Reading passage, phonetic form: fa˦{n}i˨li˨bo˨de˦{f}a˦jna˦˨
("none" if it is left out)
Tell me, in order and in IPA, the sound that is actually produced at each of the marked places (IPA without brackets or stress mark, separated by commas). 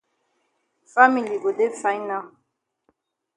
m, f